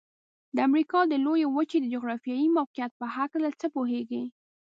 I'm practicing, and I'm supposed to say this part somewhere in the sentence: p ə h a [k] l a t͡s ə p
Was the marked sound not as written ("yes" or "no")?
no